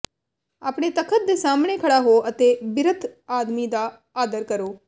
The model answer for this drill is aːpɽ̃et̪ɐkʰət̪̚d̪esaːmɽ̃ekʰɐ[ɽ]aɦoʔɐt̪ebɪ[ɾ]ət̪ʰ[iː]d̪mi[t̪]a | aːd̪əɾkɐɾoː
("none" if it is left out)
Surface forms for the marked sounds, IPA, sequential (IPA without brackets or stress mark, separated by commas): ɽ, ɾ, aː, d̪